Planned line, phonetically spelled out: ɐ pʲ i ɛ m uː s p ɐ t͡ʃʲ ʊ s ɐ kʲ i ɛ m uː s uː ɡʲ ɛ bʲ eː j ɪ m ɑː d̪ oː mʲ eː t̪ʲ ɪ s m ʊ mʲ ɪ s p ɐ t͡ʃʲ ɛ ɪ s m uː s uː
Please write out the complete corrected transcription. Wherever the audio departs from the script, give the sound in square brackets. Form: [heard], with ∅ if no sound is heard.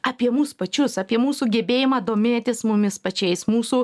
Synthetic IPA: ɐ pʲ i ɛ m uː s p ɐ t͡ʃʲ ʊ s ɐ [pʲ] i ɛ m uː s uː ɡʲ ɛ bʲ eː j ɪ m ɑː d̪ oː mʲ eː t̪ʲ ɪ s m ʊ mʲ ɪ s p ɐ t͡ʃʲ ɛ ɪ s m uː s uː